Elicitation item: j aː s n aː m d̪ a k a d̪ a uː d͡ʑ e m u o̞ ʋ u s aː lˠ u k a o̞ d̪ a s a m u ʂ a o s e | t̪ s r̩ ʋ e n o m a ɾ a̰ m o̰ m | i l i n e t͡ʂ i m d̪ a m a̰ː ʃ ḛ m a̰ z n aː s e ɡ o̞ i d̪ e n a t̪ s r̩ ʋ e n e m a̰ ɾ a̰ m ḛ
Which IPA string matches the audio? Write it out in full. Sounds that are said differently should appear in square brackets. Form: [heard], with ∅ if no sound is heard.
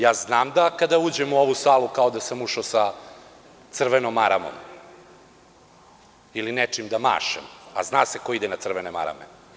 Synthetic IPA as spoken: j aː [z] n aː m d̪ a k a d̪ a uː d͡ʑ e m u o̞ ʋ u s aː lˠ u k a o̞ d̪ a s a m u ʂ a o s [a] | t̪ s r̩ ʋ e n o m a ɾ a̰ m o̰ m | i l i n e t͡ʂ i m d̪ a m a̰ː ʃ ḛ m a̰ z n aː s e [k] o̞ i d̪ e n a t̪ s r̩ ʋ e n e m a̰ ɾ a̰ m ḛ

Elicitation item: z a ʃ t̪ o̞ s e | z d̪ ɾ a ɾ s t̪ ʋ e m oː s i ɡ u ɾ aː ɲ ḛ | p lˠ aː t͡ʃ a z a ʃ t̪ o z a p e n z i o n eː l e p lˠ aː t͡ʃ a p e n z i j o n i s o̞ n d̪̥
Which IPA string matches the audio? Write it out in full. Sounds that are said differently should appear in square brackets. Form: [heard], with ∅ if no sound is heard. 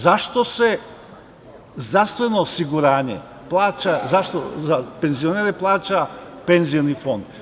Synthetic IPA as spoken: z a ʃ t̪ o̞ s e | z d̪ ɾ a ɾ s t̪ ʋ e [n] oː s i ɡ u ɾ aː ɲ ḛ | p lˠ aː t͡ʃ a z a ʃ t̪ o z a p e n z i o n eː [ɾ] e p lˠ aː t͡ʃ a p e n z i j o n i [f] o̞ n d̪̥

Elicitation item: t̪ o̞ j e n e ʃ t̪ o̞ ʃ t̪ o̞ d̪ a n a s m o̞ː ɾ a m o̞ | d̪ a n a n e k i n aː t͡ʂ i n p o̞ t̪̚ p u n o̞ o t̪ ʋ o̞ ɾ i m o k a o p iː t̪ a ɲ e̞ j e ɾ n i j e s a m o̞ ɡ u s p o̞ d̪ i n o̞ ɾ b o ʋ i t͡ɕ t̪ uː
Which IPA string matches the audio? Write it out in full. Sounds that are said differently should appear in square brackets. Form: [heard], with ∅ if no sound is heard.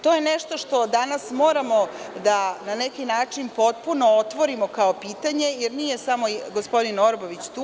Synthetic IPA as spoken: t̪ o̞ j e n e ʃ t̪ o̞ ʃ t̪ o̞ d̪ a n a s m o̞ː ɾ a m o̞ | d̪ a n a n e k i n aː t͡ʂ i n p o̞ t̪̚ p u n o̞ o t̪ ʋ o̞ ɾ i m o k a o p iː t̪ a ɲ e̞ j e ɾ n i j e s a m o̞ ɡ [o] s p o̞ d̪ i n o̞ ɾ b o ʋ i t͡ɕ t̪ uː

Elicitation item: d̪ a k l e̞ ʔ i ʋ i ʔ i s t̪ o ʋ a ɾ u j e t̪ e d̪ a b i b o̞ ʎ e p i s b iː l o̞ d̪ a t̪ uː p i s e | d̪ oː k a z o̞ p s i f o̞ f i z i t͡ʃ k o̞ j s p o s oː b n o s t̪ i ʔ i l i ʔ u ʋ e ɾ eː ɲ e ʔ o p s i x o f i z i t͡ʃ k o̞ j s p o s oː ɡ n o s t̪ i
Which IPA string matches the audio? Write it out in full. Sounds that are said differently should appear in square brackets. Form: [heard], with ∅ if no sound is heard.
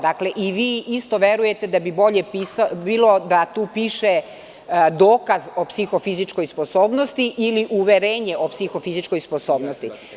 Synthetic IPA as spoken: d̪ a k l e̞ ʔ i ʋ [iː] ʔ i s t̪ o ʋ [e] ɾ u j e t̪ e d̪ a b i b o̞ ʎ e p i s b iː l o̞ d̪ a t̪ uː p i [ʃ] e | d̪ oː k a z o̞ p s i [x] o̞ f i z i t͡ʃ k o̞ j s p o s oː b n o s t̪ i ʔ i l i ʔ u ʋ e ɾ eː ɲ e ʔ o p s i x o f i z i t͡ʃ k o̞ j s p o s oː [b] n o s t̪ i

